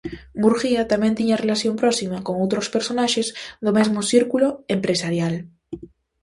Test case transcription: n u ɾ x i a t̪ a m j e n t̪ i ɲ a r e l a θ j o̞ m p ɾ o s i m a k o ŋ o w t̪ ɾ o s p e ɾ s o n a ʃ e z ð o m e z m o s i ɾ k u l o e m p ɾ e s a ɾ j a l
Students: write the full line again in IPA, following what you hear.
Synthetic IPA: m u ɾ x i a t̪ a m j e n t̪ i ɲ a r e l a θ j o̞ m p ɾ o s i m a k o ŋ o w t̪ ɾ o s p e ɾ s o n a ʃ e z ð o m e z m o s i ɾ k u l o e m p ɾ e s a ɾ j a l